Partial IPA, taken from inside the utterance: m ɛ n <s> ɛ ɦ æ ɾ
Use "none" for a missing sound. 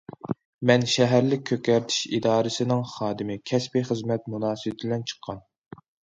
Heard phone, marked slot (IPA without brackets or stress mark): ʃ